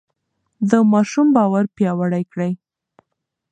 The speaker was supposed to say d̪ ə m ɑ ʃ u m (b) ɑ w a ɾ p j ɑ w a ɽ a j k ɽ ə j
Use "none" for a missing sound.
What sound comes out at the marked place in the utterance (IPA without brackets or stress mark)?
b